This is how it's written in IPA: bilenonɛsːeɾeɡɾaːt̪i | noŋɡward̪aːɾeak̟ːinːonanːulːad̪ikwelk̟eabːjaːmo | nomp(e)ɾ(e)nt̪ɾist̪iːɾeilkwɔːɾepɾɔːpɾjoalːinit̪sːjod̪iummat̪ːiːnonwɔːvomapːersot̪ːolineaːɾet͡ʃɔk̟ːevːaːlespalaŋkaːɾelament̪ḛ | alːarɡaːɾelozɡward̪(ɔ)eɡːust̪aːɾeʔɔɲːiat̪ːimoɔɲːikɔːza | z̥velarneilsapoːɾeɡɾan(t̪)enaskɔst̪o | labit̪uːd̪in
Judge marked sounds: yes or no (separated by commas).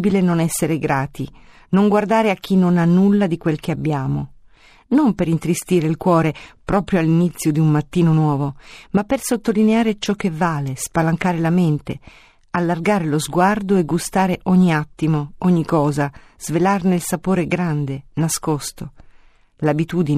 yes, no, no, no